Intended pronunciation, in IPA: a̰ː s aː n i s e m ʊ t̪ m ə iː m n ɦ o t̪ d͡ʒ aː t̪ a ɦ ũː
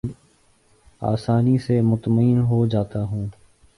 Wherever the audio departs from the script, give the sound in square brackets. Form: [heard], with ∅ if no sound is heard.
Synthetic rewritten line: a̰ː s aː n i s e m ʊ t̪ m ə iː [∅] n ɦ o [∅] d͡ʒ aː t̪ a ɦ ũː